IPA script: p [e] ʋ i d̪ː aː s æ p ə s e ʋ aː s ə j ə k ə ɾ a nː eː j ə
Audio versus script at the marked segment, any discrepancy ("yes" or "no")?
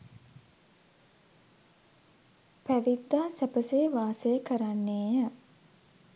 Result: yes